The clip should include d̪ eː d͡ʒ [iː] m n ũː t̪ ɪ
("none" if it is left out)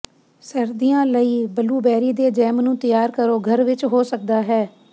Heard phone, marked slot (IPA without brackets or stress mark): ɛː